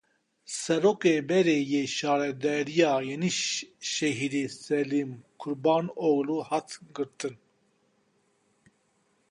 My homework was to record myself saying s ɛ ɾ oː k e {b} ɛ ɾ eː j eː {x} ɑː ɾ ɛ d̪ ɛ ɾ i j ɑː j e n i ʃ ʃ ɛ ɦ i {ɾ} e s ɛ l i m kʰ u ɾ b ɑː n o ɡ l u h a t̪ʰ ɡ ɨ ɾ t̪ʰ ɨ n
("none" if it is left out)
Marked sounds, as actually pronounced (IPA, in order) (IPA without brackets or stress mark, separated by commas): b, ʃ, ɾ